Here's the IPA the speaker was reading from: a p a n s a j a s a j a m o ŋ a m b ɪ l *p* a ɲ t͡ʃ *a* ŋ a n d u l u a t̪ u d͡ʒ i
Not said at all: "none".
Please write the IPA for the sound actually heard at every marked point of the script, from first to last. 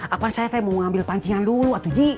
p, i

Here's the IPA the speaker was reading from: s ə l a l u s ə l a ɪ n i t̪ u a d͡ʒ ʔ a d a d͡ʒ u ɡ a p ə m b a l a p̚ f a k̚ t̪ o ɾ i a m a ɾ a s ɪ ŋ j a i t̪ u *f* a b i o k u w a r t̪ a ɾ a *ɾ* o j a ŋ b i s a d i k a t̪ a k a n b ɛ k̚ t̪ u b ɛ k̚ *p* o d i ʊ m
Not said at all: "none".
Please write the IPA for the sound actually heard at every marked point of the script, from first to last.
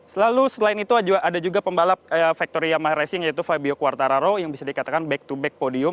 f, ɾ, p

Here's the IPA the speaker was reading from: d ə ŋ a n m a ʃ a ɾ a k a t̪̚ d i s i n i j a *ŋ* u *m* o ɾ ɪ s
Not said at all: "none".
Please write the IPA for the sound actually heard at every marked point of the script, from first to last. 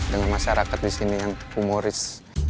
ŋ, m

